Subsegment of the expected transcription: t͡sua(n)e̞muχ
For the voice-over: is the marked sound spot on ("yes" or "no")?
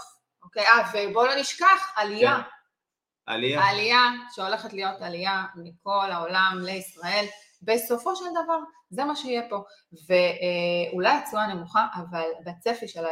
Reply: yes